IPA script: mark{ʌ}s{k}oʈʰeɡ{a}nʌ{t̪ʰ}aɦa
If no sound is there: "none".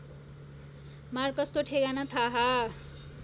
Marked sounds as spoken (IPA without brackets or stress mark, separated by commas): ʌ, k, a, t̪ʰ